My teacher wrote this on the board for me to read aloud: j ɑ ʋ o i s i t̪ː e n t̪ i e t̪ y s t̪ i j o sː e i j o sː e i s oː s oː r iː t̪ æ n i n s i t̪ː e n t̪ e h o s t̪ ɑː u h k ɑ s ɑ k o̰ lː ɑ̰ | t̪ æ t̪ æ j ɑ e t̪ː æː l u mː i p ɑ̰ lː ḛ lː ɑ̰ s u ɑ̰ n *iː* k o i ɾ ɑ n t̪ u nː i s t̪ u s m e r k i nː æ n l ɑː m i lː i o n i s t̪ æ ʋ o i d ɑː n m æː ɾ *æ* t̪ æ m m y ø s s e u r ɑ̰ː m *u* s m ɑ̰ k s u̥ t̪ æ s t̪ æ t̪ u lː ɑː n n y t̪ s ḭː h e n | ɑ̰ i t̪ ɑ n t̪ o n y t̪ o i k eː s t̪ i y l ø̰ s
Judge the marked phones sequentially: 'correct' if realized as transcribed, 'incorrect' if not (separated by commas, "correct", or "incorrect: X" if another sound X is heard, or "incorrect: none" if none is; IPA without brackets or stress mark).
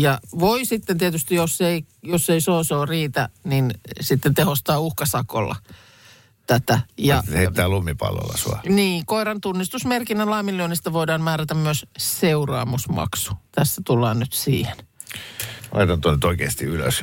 correct, correct, correct